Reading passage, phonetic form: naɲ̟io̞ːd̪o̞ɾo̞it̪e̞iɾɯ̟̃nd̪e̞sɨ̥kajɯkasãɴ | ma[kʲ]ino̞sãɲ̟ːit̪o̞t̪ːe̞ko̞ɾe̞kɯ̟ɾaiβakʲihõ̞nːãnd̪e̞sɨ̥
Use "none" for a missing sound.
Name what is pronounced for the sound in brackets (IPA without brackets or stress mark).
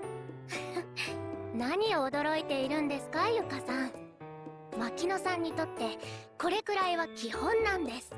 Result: kʲ